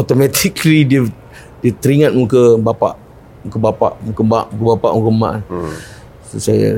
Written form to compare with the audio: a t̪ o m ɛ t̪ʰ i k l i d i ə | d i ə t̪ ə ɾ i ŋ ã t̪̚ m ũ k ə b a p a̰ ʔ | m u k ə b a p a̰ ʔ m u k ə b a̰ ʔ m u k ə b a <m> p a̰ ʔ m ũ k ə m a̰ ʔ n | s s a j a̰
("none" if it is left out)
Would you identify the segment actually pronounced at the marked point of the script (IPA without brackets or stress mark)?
none